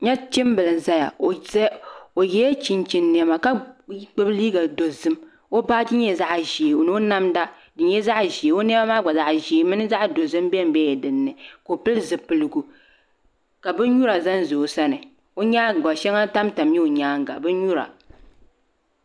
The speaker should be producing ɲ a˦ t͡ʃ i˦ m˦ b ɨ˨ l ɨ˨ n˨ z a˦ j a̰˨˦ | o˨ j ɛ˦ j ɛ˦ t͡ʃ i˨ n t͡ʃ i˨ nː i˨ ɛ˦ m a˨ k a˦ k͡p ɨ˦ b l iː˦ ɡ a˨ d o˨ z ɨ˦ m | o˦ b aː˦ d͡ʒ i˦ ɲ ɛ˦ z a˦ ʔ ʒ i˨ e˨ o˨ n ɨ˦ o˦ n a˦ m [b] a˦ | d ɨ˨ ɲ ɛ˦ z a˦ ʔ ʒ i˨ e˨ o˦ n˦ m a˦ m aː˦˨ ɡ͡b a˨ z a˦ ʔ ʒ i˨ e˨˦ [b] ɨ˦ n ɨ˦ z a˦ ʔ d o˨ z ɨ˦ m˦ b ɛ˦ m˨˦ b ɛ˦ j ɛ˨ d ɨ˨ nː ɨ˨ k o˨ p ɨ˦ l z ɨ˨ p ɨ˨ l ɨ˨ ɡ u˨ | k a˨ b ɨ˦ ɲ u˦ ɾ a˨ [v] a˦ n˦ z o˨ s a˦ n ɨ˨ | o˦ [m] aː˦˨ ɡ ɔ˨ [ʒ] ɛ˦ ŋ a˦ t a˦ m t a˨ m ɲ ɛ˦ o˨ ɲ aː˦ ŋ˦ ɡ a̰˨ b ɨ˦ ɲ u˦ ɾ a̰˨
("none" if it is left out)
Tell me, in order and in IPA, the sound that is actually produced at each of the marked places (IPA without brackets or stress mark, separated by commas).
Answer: d, m, z, ɲ, ʃ